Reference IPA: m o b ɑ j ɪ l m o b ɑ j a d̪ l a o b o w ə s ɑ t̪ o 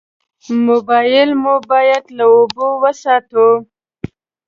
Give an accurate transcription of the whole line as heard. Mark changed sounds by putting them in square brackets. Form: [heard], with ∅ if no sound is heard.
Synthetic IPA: m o b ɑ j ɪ l m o b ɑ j a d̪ l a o b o w ə s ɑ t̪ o